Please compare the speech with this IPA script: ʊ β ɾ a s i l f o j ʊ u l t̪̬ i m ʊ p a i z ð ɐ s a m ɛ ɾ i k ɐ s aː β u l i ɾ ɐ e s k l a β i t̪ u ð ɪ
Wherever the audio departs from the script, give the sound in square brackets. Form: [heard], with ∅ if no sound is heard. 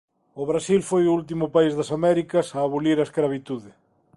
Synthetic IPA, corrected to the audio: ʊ β ɾ a s i l f o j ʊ u l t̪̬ i m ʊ p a i z ð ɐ s a m ɛ ɾ i k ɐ s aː β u l i ɾ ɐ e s k [ɾ] a β i t̪ u ð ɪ